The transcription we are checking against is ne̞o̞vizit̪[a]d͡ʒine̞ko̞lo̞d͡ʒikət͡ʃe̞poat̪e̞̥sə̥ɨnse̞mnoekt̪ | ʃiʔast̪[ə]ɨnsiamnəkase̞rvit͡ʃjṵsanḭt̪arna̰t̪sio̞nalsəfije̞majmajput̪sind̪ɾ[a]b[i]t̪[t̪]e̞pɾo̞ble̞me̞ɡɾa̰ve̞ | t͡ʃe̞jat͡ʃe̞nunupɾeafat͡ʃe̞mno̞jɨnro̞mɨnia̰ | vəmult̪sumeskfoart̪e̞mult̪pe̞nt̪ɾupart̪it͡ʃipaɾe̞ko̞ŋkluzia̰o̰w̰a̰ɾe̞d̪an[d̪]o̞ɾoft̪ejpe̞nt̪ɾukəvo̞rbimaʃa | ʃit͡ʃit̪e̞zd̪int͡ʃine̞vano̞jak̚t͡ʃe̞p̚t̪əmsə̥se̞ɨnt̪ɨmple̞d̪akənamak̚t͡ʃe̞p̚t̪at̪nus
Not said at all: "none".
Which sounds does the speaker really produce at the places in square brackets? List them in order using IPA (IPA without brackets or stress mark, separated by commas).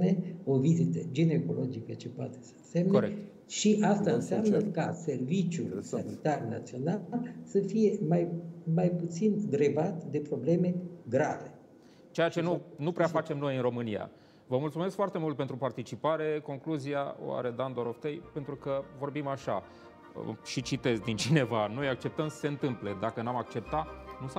ə, a, e, a, d̪, d̪